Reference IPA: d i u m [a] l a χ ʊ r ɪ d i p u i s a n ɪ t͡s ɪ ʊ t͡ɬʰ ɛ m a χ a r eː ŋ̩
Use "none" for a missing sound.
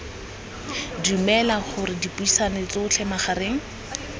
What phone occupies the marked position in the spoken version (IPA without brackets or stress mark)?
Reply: ɛ